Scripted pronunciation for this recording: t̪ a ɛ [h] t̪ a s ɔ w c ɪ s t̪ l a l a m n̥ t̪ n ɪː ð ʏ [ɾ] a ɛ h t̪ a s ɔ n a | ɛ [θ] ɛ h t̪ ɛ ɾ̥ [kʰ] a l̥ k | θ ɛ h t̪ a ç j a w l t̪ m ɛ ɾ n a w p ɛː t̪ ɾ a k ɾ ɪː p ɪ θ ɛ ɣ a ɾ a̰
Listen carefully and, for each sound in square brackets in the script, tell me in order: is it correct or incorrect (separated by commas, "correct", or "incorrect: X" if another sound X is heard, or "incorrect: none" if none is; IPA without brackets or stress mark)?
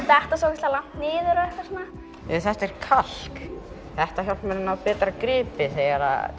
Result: correct, correct, correct, correct